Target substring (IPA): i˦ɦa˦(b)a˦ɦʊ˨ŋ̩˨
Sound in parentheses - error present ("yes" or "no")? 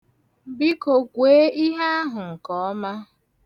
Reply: yes